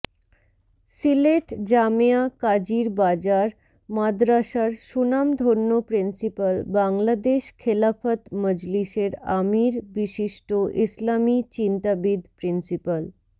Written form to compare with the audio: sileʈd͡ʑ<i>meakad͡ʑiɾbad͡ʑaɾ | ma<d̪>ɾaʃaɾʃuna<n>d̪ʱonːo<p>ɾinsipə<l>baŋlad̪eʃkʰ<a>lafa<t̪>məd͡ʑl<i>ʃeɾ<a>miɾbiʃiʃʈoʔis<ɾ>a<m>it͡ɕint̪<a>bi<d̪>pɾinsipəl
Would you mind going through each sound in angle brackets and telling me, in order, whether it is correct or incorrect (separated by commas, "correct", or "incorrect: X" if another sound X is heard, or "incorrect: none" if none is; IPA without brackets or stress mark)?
incorrect: a, correct, incorrect: m, correct, correct, incorrect: e, correct, correct, correct, incorrect: l, correct, correct, correct